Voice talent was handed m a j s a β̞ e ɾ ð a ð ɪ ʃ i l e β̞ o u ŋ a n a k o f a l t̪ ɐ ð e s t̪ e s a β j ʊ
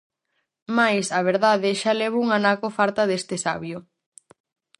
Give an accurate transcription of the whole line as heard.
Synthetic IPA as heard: m a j s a β̞ e ɾ ð a ð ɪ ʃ a l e β̞ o u ŋ a n a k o f a ɾ t̪ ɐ ð e s t̪ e s a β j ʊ